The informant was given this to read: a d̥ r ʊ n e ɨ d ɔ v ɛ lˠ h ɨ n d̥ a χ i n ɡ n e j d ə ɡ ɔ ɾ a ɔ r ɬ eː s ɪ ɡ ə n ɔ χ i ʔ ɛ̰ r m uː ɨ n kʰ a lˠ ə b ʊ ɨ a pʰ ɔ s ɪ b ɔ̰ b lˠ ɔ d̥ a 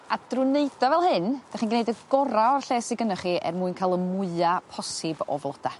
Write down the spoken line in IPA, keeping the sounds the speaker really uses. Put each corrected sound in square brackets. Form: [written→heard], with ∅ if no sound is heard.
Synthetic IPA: a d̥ r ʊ n e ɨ d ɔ v ɛ lˠ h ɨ n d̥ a χ i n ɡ n e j d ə ɡ ɔ ɾ a ɔ r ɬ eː s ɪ ɡ ə n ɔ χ i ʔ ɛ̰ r m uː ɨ n kʰ a lˠ ə [b→m] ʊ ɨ a pʰ ɔ s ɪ b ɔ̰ [b→v] lˠ ɔ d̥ a